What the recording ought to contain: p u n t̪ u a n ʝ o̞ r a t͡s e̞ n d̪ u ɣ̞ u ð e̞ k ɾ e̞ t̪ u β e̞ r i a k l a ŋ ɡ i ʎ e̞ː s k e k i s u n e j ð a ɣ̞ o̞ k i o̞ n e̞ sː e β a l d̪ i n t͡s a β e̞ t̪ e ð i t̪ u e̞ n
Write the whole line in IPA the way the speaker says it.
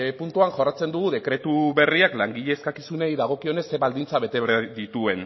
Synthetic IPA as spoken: p u n t̪ u a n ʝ o̞ r a t͡s e̞ n d̪ u ɣ̞ u ð e̞ k ɾ e̞ t̪ u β e̞ r i a k l a ŋ ɡ i ʎ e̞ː s k a k i s u n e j ð a ɣ̞ o̞ k i o̞ n e̞ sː e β a l d̪ i n t͡s a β e̞ t̪ e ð i t̪ u e̞ n

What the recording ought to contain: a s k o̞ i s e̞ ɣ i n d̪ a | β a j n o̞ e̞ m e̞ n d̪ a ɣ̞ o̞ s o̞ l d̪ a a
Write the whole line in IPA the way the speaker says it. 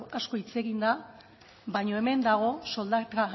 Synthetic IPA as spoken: a s k o̞ i t͡s e̞ ɣ i n d̪ a | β a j ɲ o̞ e̞ m e̞ n d̪ a ɣ̞ o̞ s o̞ l d̪ a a

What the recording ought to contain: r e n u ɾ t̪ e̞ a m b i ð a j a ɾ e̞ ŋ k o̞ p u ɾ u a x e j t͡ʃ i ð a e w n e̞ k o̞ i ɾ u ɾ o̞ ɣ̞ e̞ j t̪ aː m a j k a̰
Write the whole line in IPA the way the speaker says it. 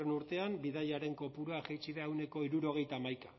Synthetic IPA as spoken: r e n u ɾ t̪ e̞ a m b i ð a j a ɾ e̞ ŋ k o̞ p u ɾ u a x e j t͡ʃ i ð a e w n e̞ k o̞ i ɾ u ɾ o̞ ɣ̞ e̞ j t̪ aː m a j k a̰

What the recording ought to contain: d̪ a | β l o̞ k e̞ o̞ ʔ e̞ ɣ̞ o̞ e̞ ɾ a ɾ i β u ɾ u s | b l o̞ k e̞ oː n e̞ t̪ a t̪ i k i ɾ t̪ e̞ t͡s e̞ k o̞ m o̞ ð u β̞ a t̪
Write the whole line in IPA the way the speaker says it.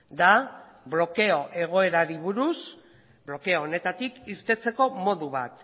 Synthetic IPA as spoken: d̪ a | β l o̞ k e̞ o̞ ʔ e̞ ɣ̞ o̞ e̞ ɾ a ɾ i β u ɾ u s | b l o̞ k e̞ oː n e̞ t̪ a t̪ i k i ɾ t̪ e̞ t͡s e̞ k o̞ m o̞ ð u β̞ a t̪

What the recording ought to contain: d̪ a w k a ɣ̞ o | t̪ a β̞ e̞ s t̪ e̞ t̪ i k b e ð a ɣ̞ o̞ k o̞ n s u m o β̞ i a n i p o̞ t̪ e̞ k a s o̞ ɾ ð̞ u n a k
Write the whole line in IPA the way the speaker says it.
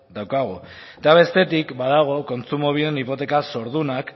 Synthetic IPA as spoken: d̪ a w k a ɣ̞ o | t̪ a β̞ e̞ s t̪ e̞ t̪ i k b a ð a ɣ̞ o̞ k o̞ n t͡s u m o β̞ i e n i p o̞ t̪ e̞ k a s o̞ ɾ ð̞ u n a k

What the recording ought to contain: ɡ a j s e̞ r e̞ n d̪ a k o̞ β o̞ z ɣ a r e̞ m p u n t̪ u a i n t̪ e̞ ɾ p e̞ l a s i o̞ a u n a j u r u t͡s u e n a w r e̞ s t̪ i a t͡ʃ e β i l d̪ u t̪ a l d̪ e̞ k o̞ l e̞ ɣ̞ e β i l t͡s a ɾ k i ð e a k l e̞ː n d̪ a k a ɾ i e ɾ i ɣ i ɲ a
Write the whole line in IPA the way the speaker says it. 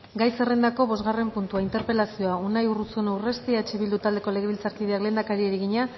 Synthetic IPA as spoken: ɡ a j s e̞ r e̞ n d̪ a k o̞ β o̞ z ɣ a r e̞ m p u n t̪ u a i n t̪ e̞ ɾ p e̞ l a s i o̞ a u n a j u r u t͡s u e n a w r e̞ s t̪ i a t͡ʃ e β i l d̪ u t̪ a l d̪ e̞ k o̞ l e̞ ɣ̞ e β i l t͡s a ɾ k i ð e a k l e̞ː n d̪ a k a ɾ i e ɾ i ɣ i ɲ a

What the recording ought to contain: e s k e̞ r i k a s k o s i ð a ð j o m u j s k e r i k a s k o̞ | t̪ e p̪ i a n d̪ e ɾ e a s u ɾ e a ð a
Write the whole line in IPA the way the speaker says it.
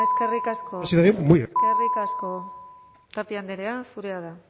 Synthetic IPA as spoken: e s k e̞ r i k a s k o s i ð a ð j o m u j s k e r i k a s k o̞ | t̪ a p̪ i a n d̪ e ɾ e a s u ɾ e a ð a

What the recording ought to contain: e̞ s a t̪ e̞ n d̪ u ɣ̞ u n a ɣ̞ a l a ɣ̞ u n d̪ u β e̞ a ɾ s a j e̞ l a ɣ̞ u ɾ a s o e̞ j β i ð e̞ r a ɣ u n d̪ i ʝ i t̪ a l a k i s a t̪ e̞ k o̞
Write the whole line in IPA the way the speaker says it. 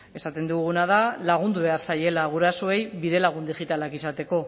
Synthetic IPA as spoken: e̞ s a t̪ e̞ n d̪ u ɣ̞ u n a ð̞ a l a ɣ̞ u n d̪ u β e̞ a ɾ s a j e̞ l a ɣ̞ u ɾ a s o e̞ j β i ð e̞ l a ɣ u n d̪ i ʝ i t̪ a l a k i s a t̪ e̞ k o̞

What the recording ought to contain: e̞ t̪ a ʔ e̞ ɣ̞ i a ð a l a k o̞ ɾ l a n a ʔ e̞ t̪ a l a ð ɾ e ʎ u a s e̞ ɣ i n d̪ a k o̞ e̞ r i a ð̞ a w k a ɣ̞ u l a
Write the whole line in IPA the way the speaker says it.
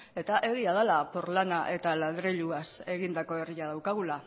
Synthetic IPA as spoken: e̞ t̪ a ʔ e̞ ɣ̞ i a ð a l a p o̞ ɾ l a n a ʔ e̞ t̪ a l a ð ɾ e ʎ u a s e̞ ɣ i n d̪ a k o̞ e̞ r i a ð̞ a w k a ɣ̞ u l a

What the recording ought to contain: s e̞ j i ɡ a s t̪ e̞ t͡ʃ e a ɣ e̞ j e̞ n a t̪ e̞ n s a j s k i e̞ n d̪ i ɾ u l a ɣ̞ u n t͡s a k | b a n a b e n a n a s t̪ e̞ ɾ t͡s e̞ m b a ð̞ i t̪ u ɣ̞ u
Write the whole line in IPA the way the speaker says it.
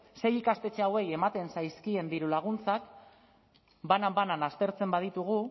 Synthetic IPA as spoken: s e̞ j i k a s t̪ e̞ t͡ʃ e a w e̞ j e̞ m a t̪ e̞ n s a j s k i e̞ n d̪ i ɾ u l a ɣ̞ u n t͡s a k | b a n a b a n a n a s t̪ e̞ ɾ t͡s e̞ m b a ð̞ i t̪ u ɣ̞ u

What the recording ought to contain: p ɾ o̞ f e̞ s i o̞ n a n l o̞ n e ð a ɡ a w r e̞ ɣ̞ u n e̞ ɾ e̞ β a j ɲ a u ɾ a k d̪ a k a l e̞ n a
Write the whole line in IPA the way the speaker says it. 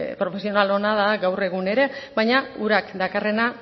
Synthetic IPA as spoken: p ɾ o̞ f e̞ s i o̞ n a l o̞ n a ð a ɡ a w r e̞ ɣ̞ u n e̞ ɾ e̞ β a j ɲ a u ɾ a k d̪ a k a r e̞ n a

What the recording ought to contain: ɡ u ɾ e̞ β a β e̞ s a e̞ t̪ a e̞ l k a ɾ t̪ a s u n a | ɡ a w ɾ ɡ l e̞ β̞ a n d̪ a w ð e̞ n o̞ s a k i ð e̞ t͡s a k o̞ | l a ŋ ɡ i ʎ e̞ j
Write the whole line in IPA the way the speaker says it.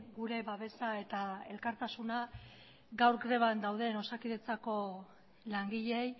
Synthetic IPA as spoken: ɡ u ɾ e̞ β a β e̞ s a e̞ t̪ a e̞ l k a ɾ t̪ a s u n a | ɡ a w ɾ ɡ ɾ e̞ β̞ a n d̪ a w ð e̞ n o̞ s a k i ð e̞ t͡s a k o̞ | l a ŋ ɡ i ʎ e̞ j

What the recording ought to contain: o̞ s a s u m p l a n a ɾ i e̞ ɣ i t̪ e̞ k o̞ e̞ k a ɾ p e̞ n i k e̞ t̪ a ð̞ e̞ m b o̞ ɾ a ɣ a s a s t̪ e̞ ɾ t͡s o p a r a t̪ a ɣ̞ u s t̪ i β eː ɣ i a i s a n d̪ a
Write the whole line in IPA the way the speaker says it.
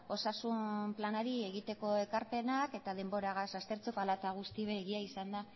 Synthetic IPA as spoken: o̞ s a s u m p l a n a ɾ i e̞ ɣ i t̪ e̞ k o̞ e̞ k a ɾ p e̞ n a k e̞ t̪ a ð̞ e̞ m b o̞ ɾ a ɣ a s a s t̪ e̞ ɾ t͡s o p a l a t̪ a ɣ̞ u s t̪ i β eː ɣ i a i s a n d̪ a

